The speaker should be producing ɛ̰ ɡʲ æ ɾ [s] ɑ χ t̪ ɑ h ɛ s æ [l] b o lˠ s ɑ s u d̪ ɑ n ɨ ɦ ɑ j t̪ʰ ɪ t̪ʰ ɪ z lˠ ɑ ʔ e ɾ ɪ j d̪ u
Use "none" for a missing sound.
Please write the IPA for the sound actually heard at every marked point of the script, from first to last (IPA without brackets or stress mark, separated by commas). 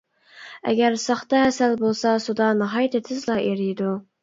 s, l